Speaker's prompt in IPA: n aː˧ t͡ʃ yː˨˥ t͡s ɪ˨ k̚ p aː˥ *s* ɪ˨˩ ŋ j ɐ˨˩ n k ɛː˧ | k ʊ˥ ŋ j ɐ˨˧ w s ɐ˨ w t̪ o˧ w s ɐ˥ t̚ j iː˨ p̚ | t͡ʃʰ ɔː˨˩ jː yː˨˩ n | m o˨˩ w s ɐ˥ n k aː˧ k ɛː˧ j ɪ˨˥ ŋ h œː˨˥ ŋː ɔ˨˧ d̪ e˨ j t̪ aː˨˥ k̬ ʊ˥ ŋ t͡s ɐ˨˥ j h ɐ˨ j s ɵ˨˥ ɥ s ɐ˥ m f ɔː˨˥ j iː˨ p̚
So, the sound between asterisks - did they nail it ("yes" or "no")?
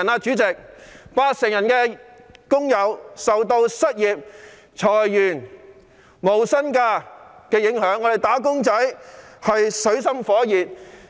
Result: yes